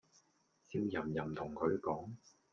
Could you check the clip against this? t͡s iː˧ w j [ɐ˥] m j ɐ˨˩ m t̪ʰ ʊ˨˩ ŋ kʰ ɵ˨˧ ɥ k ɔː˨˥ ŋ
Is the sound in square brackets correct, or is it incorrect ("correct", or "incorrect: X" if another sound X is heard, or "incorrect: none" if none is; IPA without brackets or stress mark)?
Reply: incorrect: ɐ˨˩